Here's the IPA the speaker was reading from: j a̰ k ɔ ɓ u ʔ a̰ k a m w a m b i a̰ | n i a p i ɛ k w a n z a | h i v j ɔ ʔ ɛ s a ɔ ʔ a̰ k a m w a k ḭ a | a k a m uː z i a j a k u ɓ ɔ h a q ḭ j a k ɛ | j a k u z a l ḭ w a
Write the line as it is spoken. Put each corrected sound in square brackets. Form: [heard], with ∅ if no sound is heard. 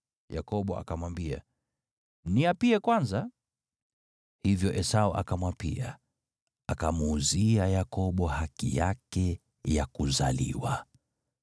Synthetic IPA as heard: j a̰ k ɔ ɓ [ɔ] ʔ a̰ k a m w a m b i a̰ | n i a p i ɛ k w a n z a | h i v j ɔ ʔ ɛ s a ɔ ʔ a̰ k a m w a [p] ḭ a | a k a m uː z i a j a k [ɔ] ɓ ɔ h a [k] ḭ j a k ɛ | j a k u z a l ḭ w a